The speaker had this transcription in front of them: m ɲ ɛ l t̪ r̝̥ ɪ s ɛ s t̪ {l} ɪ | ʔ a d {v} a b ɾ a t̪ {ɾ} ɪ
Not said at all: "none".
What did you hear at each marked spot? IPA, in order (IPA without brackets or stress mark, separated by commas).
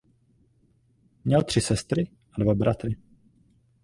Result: ɾ, v, ɾ